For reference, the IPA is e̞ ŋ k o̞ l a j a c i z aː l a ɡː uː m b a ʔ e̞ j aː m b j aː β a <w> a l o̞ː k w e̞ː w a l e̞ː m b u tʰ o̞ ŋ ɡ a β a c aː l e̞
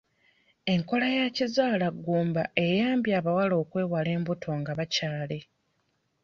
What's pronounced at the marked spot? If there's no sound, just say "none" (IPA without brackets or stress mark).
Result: w